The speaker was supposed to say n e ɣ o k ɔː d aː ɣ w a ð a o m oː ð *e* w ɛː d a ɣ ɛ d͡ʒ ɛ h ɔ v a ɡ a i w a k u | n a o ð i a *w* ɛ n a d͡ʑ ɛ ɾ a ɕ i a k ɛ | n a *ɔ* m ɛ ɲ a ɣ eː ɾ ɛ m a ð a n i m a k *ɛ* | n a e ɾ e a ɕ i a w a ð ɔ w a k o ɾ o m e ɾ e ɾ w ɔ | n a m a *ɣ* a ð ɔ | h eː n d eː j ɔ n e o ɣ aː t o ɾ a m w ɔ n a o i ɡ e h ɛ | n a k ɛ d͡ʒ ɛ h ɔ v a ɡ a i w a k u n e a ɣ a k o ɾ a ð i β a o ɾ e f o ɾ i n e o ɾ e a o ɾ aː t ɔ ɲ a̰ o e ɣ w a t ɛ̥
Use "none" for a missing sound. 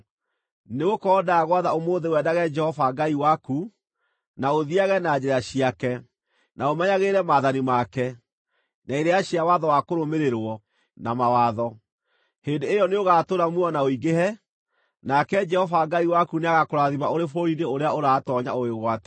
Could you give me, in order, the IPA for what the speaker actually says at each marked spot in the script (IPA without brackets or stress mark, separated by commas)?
e, ɣ, o, ɛ, w